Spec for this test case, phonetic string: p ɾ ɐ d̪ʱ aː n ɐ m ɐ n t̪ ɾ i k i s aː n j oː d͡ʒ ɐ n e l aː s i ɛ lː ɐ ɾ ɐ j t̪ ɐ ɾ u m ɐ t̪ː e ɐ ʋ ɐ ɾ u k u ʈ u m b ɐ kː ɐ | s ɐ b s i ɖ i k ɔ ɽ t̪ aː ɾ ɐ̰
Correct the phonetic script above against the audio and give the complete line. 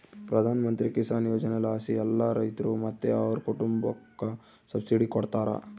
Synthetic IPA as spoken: p ɾ ɐ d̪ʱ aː n ɐ m ɐ n t̪ ɾ i k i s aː n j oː d͡ʒ ɐ n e l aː s i ɛ lː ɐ ɾ ɐ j t̪ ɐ ɾ u m ɐ t̪ː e ɐ ʋ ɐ ɾ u k u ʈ u m b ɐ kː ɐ | s ɐ b s i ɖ i k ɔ ɽ t̪ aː ɾ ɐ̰